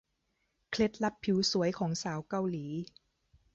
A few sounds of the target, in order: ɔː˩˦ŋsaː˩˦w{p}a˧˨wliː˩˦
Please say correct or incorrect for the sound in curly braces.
incorrect